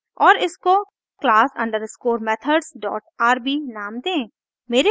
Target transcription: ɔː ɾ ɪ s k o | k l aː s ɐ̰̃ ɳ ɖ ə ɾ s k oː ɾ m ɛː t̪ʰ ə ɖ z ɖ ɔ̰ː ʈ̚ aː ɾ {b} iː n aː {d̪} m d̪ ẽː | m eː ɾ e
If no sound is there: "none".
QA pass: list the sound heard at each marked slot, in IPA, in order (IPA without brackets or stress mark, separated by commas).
b, none